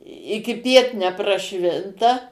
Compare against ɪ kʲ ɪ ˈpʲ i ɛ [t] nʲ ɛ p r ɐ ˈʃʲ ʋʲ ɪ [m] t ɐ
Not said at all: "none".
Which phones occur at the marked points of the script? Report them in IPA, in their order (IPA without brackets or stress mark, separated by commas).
t, n